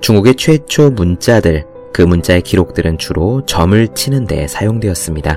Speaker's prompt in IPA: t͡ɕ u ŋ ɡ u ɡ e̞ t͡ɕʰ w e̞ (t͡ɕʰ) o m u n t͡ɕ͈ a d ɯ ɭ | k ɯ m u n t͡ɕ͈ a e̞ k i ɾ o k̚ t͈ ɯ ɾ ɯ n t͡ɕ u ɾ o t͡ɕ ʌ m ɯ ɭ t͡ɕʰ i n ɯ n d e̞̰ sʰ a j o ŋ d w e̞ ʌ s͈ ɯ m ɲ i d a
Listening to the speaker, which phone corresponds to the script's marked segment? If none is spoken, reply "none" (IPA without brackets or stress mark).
t͡ɕʰ